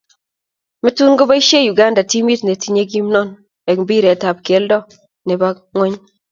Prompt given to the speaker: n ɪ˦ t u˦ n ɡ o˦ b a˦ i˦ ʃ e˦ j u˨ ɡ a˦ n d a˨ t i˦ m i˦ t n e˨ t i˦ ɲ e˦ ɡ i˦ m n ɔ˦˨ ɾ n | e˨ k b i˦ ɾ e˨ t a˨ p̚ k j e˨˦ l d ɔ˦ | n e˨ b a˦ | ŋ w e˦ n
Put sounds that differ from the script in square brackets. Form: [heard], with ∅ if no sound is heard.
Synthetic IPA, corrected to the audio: [m] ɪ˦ t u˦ n ɡ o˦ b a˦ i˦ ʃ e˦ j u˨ ɡ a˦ n d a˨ t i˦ m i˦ t n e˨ t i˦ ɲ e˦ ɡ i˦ m n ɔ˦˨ [∅] n | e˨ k b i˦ ɾ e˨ t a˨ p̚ k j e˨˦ l d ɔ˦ | n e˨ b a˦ | ŋ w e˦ [ɲ]